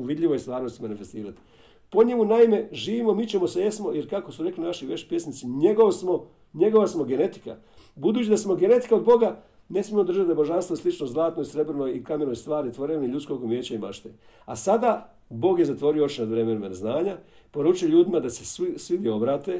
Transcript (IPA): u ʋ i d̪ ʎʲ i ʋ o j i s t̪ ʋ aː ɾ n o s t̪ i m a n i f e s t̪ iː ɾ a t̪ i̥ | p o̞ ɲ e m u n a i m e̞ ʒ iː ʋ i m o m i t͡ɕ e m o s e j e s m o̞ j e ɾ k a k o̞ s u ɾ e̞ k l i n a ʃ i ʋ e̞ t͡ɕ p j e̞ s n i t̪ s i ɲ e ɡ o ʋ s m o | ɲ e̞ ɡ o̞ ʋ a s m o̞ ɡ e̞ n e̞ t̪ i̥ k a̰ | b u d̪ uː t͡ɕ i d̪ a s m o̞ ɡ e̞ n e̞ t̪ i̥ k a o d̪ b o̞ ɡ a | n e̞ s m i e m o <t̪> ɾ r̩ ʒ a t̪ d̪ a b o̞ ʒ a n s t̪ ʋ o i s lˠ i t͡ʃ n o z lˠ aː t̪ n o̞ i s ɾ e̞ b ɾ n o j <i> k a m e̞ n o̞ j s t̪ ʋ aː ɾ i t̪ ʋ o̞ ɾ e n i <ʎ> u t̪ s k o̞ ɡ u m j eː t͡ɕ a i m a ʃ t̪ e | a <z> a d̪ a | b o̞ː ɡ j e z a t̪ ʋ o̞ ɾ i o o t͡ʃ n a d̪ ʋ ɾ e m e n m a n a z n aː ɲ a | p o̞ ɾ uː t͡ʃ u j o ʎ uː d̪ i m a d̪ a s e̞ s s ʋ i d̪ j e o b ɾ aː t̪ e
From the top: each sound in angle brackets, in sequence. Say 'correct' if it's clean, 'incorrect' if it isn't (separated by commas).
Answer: incorrect, correct, correct, incorrect